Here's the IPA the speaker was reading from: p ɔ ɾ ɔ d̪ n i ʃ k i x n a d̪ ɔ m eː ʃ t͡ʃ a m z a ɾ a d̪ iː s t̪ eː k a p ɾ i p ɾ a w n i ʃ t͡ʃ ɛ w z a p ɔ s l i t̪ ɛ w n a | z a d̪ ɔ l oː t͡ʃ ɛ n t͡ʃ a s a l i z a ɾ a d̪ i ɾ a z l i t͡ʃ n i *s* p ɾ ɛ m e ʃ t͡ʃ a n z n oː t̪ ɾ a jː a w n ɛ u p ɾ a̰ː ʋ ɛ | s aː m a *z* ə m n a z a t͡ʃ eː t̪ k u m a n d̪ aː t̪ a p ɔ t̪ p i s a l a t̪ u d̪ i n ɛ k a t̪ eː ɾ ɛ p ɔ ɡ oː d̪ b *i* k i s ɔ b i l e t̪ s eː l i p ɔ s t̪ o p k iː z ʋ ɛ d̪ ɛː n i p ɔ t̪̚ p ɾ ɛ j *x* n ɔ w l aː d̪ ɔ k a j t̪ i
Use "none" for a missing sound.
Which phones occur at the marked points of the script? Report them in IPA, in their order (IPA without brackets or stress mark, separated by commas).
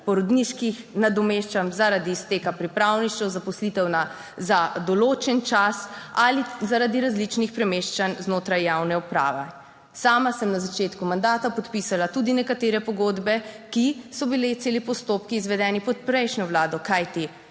x, s, ɛ, ʃ